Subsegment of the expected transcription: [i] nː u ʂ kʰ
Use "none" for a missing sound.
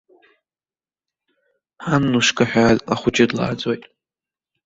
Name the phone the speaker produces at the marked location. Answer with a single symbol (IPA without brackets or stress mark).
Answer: a